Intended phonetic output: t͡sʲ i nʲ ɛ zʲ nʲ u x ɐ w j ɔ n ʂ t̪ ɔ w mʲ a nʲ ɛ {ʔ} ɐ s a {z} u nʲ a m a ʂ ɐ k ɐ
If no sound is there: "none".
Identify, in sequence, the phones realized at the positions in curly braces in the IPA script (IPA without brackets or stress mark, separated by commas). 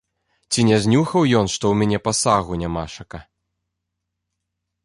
p, ɣ